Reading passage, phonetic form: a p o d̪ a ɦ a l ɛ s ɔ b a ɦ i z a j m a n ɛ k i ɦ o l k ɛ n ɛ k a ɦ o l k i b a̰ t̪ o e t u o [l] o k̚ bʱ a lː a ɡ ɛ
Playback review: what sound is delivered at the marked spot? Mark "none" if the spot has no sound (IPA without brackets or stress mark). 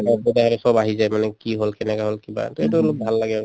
l